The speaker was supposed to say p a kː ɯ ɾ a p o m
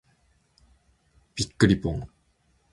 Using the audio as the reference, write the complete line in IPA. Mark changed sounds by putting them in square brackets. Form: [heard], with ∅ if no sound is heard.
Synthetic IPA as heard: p [i] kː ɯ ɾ [i] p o [ŋ]